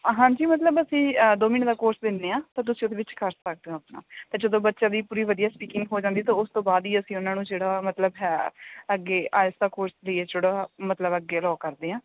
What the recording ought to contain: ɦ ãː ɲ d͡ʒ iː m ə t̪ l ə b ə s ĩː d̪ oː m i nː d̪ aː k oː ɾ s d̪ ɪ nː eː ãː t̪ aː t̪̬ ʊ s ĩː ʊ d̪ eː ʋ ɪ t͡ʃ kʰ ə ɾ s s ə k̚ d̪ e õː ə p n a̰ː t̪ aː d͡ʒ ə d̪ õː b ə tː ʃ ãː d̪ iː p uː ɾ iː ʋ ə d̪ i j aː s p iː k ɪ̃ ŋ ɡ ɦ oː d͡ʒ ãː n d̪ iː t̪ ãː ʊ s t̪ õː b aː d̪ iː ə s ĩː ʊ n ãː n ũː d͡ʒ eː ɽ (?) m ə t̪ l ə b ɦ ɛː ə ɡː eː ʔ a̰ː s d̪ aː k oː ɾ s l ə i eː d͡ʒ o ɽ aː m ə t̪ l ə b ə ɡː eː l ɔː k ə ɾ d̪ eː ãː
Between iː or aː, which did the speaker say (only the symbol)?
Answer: aː